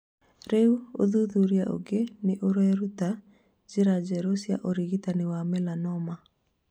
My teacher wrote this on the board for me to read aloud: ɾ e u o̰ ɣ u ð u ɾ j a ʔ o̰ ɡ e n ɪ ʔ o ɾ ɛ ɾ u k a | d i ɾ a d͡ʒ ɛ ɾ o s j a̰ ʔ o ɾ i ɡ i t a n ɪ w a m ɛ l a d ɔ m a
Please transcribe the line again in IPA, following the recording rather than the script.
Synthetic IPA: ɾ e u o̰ ð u ð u ɾ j a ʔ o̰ ɡ e n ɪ ʔ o ɾ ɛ ɾ u t a | d͡ʒ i ɾ a d͡ʒ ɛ ɾ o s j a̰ ʔ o ɾ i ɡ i t a n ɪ w a m ɛ l a n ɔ m a